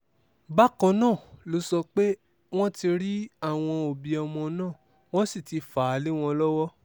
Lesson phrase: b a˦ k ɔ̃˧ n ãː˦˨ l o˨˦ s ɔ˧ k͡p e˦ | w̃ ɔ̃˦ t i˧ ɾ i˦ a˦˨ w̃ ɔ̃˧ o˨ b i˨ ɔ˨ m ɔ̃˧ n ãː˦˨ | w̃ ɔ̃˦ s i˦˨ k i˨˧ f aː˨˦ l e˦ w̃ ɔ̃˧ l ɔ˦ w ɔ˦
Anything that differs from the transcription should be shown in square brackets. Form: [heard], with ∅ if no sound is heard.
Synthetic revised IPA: b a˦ k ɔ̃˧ n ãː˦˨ l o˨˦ s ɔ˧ k͡p e˦ | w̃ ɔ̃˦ t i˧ ɾ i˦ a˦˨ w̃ ɔ̃˧ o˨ b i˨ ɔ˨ m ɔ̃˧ n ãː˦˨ | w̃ ɔ̃˦ s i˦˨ [t] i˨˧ f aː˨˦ l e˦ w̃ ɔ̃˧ l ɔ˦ w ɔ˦